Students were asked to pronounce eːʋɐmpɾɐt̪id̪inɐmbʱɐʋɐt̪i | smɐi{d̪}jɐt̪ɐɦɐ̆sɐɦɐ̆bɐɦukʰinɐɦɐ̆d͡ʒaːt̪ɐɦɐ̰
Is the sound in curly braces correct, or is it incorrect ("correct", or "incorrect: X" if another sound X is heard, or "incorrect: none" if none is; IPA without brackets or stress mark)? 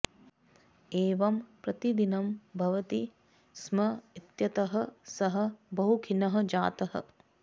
incorrect: t̪